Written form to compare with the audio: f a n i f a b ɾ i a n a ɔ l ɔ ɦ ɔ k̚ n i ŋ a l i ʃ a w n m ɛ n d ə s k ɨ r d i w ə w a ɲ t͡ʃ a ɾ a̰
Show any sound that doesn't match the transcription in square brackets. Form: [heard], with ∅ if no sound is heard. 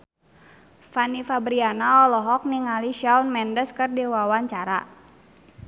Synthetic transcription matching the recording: f a n i f a b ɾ i a n a ɔ l ɔ ɦ ɔ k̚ n i ŋ a l i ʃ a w n m ɛ n d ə s k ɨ r d i w [a] w a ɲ t͡ʃ a ɾ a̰